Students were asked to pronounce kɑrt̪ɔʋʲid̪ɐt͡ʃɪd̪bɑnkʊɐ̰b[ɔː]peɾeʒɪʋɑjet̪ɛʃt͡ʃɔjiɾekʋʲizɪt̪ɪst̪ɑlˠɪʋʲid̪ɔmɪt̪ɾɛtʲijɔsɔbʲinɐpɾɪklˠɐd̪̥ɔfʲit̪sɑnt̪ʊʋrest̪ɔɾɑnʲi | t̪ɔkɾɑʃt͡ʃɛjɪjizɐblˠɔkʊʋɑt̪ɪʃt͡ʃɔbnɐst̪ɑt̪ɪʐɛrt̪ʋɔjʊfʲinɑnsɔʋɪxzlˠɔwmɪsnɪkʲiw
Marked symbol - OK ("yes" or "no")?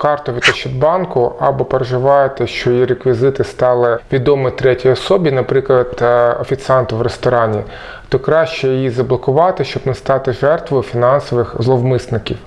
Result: no